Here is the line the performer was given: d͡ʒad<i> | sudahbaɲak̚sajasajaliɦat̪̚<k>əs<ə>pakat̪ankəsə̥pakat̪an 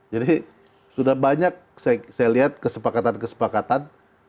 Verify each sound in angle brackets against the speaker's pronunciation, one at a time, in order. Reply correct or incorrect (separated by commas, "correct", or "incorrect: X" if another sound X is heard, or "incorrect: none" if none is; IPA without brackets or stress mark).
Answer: correct, correct, correct